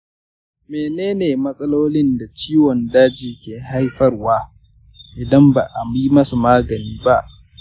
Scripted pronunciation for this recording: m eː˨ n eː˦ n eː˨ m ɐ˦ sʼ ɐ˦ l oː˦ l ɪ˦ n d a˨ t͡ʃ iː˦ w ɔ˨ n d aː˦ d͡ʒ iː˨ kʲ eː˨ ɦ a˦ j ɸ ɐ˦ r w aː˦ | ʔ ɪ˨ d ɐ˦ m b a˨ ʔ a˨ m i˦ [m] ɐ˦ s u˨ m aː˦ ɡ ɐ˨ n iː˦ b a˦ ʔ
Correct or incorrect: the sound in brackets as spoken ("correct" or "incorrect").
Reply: correct